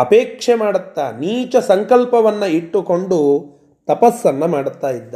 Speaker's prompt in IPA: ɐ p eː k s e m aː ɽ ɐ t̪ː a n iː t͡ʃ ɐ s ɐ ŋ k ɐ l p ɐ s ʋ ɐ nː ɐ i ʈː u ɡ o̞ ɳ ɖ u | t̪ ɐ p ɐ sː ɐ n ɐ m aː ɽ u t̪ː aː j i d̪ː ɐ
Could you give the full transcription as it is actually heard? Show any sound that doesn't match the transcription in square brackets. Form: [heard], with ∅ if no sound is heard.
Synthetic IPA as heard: ɐ p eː k [ʂ] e m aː ɽ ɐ t̪ː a n iː t͡ʃ ɐ s ɐ ŋ k ɐ l p ɐ [∅] ʋ ɐ nː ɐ i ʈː u [k] o̞ ɳ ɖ u | t̪ ɐ p ɐ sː ɐ [nː] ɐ m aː ɽ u t̪ː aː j i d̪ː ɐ